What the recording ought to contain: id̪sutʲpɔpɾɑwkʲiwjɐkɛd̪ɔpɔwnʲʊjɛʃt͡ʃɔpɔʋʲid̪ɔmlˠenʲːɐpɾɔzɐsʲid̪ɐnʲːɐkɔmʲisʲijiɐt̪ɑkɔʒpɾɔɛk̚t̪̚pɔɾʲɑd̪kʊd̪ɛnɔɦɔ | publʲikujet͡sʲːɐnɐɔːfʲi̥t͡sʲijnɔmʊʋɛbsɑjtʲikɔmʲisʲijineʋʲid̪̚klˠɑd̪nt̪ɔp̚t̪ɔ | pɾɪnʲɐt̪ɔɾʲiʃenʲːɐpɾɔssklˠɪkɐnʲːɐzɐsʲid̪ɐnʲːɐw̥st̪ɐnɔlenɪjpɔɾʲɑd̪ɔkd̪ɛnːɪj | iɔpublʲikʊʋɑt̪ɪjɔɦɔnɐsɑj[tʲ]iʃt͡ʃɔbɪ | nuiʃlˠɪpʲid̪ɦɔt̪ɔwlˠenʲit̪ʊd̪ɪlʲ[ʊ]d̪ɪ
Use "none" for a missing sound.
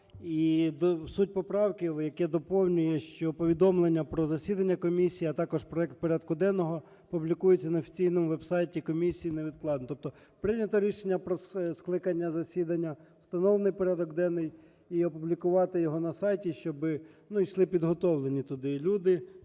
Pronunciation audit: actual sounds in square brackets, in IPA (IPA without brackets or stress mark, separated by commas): tʲ, u